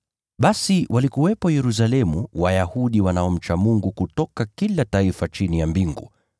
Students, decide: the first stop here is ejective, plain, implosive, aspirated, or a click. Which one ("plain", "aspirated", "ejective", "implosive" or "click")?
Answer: implosive